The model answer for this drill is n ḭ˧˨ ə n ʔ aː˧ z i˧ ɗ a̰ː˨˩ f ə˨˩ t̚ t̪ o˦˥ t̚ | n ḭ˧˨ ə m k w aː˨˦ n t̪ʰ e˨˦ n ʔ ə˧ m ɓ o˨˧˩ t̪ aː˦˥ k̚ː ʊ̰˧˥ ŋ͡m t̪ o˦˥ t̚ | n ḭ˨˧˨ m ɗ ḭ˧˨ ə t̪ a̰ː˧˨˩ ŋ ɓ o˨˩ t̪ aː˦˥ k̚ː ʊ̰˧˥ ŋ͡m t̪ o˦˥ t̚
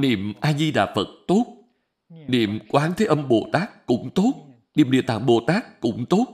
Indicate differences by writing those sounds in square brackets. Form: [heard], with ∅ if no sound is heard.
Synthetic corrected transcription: n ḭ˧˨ ə [m] ʔ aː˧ z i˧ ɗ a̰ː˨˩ f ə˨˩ t̚ t̪ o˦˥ t̚ | n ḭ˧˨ ə m k w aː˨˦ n t̪ʰ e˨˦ [∅] ʔ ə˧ m ɓ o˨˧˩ t̪ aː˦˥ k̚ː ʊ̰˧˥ ŋ͡m t̪ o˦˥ t̚ | n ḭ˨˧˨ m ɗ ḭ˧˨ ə t̪ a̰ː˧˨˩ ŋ ɓ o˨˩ t̪ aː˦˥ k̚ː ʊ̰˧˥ ŋ͡m t̪ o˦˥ t̚